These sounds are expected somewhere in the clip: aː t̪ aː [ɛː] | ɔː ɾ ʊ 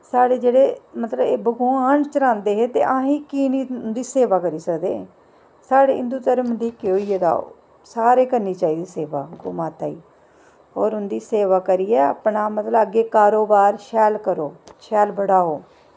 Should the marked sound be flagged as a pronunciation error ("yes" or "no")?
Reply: yes